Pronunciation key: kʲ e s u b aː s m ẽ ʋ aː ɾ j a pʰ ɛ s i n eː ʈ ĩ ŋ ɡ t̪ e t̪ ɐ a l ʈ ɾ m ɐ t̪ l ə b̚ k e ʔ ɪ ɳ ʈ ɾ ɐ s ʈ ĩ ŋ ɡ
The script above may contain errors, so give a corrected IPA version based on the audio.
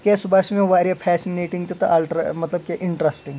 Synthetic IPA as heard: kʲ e s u b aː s m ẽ ʋ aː ɾ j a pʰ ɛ s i n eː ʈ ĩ ŋ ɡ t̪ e t̪ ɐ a l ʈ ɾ m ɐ t̪ l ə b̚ k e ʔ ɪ ɳ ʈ ɾ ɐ s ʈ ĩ ŋ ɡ